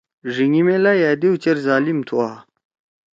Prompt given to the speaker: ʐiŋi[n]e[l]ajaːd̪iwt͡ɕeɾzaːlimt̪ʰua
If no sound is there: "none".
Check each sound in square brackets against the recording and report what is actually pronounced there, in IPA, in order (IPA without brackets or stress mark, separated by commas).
m, l